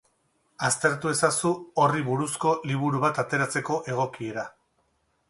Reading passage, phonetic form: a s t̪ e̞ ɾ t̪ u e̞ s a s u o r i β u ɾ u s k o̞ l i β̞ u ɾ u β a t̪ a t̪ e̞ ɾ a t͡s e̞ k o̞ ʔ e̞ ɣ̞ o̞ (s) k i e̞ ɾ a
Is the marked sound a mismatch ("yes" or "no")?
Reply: yes